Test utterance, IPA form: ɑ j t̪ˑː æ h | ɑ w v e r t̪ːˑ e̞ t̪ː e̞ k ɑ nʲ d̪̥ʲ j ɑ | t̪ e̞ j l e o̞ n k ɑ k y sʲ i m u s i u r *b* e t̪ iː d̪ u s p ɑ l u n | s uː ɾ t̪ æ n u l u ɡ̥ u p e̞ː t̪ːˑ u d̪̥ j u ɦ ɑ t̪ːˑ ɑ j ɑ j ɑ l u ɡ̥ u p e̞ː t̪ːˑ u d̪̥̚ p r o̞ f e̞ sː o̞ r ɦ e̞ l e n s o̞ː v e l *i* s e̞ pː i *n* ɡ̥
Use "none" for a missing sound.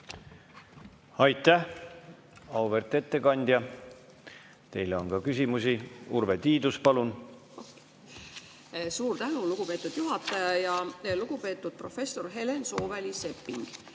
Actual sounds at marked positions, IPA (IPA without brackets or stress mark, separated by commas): v, i, ŋ